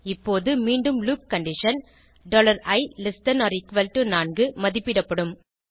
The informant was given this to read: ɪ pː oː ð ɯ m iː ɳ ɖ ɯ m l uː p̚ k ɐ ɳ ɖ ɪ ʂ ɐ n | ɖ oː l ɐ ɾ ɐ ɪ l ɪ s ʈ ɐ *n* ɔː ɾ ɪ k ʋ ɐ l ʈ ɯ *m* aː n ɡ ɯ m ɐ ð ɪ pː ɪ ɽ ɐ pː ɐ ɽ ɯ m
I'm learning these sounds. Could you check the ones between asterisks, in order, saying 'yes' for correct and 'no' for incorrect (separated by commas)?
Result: yes, no